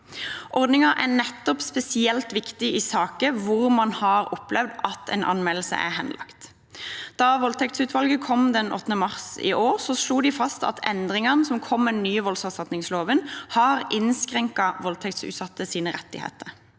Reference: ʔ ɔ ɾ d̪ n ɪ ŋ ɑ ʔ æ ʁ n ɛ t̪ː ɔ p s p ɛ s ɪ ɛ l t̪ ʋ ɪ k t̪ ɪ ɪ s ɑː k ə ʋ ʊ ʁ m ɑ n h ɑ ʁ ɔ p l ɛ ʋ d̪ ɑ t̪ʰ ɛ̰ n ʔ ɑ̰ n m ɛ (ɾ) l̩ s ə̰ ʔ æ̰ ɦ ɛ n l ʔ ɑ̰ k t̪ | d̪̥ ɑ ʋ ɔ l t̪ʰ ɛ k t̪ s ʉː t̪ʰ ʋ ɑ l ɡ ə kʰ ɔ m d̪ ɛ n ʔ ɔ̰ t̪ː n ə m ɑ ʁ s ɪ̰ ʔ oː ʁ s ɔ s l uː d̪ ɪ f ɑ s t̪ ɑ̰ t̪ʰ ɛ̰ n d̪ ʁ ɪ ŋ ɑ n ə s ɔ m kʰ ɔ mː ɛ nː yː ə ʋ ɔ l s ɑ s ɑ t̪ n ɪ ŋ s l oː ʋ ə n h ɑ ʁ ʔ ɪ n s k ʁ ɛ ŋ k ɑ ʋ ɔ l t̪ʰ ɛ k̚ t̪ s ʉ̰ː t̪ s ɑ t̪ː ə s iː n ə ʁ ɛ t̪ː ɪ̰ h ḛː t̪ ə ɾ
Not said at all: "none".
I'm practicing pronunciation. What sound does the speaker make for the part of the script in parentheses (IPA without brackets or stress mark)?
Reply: l